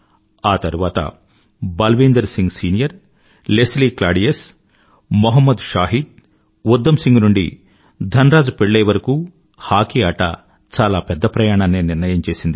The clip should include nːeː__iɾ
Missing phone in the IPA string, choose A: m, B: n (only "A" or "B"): B